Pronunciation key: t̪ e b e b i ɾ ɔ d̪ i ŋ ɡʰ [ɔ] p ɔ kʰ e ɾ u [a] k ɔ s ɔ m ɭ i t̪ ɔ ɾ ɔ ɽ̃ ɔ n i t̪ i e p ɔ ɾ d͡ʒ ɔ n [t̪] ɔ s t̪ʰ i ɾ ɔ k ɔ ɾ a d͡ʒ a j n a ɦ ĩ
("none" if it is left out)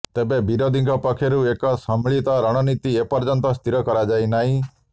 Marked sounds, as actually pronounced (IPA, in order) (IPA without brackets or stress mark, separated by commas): ɔ, e, t̪